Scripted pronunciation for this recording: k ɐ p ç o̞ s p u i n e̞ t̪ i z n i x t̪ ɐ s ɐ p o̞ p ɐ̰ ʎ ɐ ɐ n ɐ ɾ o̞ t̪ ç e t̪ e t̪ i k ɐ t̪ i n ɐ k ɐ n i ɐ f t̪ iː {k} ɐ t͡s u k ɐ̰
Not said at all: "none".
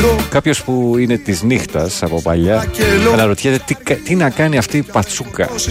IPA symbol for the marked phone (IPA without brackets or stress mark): p